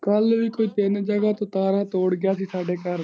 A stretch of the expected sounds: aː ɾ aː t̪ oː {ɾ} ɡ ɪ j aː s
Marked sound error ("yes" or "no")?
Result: yes